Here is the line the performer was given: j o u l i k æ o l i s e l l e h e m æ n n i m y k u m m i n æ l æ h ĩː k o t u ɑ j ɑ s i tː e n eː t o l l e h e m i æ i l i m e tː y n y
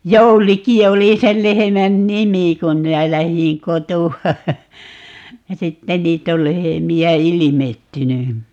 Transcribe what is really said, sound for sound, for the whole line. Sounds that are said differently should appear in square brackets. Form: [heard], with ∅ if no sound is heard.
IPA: j o u l i k [i] o l i s e l l e h e m æ n n i m [i] k u m m i n æ l æ h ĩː k o t u ɑ j ɑ s i tː e n [iː] t o l l e h e m i æ i l i m e tː y n y